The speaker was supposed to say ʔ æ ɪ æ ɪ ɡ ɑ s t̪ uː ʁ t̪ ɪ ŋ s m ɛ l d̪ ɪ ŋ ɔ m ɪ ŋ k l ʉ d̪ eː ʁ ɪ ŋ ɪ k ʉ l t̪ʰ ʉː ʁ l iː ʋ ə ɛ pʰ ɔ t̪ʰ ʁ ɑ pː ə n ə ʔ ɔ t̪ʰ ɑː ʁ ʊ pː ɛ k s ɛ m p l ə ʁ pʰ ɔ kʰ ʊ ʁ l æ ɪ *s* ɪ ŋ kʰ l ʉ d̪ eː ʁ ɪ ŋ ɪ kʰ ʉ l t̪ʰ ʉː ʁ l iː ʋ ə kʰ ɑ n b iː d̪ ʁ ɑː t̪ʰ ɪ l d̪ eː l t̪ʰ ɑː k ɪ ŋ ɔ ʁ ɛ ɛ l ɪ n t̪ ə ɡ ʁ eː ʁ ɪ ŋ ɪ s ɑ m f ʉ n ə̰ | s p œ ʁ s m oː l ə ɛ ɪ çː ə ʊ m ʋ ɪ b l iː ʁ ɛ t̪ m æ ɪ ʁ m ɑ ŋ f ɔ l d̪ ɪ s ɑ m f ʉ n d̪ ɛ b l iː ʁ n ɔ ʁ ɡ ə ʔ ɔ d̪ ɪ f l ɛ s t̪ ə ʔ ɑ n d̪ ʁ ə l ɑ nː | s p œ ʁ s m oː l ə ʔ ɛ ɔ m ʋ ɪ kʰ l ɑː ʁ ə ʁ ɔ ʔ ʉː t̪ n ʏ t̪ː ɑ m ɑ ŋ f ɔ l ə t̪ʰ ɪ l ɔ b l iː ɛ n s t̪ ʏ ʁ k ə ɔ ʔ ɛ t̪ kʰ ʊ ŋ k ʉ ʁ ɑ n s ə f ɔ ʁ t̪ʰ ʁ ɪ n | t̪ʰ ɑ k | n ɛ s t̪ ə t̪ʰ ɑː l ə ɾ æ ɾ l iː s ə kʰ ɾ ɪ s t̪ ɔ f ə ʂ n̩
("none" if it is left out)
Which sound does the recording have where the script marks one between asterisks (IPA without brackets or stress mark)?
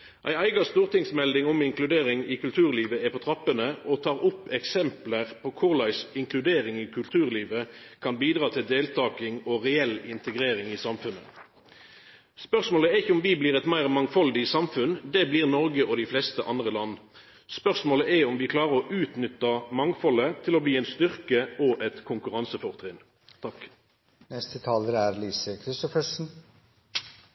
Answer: s